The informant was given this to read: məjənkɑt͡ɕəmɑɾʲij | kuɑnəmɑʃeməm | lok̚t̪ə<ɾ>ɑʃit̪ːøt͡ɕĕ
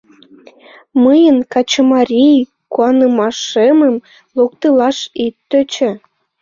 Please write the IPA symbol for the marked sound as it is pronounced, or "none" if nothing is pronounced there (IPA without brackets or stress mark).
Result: l